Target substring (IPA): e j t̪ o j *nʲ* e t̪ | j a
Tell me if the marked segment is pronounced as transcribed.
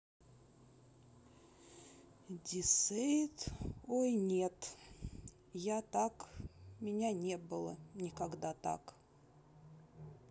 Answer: yes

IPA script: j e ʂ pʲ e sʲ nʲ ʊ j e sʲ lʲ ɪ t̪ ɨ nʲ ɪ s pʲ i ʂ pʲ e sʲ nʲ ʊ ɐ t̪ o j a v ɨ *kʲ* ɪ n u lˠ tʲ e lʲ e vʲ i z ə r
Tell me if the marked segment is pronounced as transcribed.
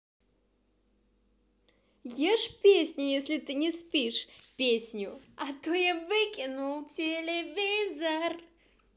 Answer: yes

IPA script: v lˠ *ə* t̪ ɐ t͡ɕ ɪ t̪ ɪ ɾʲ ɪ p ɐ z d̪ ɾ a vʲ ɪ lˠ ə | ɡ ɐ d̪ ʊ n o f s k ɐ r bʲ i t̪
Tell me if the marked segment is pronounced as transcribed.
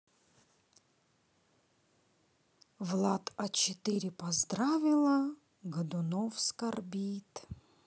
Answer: no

